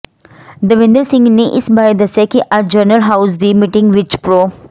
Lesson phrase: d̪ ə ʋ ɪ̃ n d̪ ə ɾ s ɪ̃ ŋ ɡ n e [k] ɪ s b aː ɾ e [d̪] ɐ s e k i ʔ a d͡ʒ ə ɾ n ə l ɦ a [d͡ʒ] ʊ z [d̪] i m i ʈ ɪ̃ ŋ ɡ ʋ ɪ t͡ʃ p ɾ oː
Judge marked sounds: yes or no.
no, yes, no, yes

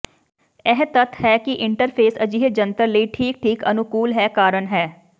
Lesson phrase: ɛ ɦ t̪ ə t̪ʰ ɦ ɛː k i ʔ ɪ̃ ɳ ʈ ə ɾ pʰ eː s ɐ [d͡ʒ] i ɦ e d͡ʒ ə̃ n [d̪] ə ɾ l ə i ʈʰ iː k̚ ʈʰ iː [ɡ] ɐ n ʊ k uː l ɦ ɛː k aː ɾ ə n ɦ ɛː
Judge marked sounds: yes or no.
yes, no, no

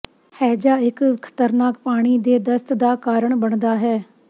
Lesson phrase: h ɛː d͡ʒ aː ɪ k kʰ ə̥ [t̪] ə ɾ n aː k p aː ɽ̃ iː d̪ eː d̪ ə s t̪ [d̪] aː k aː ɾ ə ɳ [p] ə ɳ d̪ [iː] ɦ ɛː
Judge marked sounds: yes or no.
yes, yes, no, no

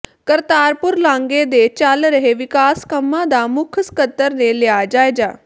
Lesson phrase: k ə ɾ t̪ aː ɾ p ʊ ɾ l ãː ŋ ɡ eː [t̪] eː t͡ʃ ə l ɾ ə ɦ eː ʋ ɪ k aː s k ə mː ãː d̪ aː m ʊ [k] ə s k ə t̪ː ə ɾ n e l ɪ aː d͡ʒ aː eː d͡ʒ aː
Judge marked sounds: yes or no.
no, no

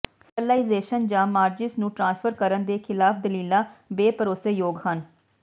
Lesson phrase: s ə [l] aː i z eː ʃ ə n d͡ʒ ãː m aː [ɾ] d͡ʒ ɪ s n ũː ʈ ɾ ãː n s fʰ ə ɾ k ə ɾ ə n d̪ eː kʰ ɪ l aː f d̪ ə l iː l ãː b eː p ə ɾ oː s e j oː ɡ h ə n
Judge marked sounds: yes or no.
yes, yes

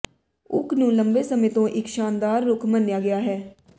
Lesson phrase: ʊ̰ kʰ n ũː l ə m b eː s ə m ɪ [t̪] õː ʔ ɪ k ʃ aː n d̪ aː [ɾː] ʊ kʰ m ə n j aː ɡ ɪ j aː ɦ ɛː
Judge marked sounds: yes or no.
yes, yes

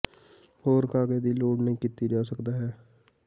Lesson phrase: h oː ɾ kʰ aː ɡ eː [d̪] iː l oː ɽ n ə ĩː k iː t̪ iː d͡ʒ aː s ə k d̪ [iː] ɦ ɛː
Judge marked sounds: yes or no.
yes, no

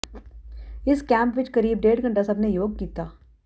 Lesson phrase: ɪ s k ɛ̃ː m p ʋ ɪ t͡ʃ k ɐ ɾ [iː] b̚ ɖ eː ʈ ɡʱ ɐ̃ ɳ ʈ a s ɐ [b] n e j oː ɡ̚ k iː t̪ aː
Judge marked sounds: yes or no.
yes, yes

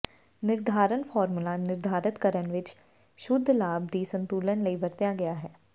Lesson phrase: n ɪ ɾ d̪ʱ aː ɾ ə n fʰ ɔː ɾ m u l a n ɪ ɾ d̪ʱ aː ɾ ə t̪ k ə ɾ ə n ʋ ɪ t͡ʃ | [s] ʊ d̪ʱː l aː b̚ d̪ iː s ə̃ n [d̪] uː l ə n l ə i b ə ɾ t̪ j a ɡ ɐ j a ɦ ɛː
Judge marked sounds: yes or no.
no, no

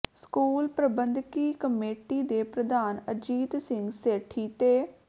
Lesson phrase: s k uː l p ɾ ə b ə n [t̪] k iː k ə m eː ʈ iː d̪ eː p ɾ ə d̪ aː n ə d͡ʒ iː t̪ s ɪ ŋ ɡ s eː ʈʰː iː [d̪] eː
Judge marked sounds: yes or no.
no, no

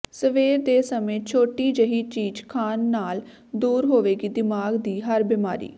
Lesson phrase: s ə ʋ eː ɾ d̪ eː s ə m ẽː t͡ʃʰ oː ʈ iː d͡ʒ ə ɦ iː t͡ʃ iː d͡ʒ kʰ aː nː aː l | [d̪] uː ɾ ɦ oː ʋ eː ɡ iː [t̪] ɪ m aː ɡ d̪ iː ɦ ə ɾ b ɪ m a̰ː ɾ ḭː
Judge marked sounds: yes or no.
yes, no

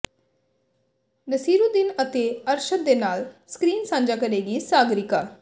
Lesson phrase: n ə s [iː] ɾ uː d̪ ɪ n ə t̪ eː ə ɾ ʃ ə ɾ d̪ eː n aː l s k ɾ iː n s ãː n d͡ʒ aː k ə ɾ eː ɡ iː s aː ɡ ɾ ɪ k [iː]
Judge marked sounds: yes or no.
yes, no

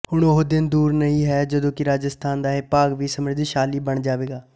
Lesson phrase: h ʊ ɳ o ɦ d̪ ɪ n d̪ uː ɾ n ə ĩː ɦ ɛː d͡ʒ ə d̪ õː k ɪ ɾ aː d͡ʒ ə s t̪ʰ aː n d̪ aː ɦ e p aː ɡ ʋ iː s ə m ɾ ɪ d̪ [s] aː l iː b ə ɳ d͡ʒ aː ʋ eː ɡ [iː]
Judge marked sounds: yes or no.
no, no

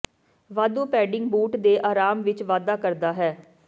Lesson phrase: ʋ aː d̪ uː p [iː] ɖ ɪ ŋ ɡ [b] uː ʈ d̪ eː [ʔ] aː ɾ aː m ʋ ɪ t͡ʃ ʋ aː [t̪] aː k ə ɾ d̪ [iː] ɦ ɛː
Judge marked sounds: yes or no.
no, yes, yes, no, no

